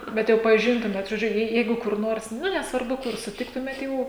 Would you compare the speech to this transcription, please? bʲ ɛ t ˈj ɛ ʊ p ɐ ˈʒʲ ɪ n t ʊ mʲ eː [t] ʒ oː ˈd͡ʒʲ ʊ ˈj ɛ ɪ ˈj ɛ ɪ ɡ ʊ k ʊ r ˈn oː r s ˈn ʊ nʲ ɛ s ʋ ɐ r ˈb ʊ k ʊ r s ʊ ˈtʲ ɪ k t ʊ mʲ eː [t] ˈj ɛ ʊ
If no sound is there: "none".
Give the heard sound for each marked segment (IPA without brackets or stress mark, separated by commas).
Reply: t, t